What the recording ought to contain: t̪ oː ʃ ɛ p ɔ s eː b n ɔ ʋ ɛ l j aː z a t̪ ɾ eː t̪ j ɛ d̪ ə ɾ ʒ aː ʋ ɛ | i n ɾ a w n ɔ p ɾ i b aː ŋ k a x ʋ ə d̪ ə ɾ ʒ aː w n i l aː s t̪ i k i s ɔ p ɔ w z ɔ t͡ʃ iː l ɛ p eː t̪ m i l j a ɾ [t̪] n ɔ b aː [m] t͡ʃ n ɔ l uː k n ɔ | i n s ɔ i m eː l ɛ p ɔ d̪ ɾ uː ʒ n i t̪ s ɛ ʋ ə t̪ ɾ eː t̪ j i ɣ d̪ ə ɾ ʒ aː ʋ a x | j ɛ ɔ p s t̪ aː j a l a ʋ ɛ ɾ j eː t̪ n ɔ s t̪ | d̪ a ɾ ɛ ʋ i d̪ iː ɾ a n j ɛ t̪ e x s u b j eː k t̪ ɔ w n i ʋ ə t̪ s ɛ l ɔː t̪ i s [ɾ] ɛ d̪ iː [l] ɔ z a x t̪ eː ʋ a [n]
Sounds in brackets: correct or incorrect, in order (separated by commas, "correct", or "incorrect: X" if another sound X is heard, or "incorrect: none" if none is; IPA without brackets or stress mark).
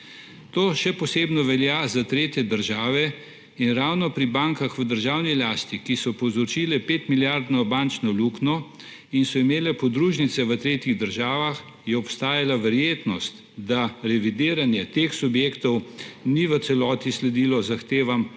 incorrect: d̪, incorrect: n, incorrect: l, correct, incorrect: m